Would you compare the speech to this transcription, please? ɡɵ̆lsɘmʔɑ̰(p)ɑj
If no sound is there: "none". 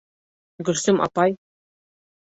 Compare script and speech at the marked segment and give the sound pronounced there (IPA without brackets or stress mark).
p